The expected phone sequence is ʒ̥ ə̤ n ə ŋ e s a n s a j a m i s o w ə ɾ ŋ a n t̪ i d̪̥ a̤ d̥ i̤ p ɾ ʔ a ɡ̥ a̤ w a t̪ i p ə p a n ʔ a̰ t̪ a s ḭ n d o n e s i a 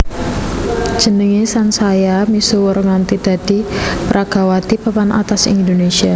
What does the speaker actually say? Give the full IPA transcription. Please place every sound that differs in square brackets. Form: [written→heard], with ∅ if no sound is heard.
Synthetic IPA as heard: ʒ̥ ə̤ n ə ŋ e s a n s a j a m i s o w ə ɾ ŋ a n t̪ i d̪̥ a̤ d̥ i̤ p ɾ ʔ a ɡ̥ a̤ w a t̪ i p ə p a n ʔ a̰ t̪ a s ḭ n d o n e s i a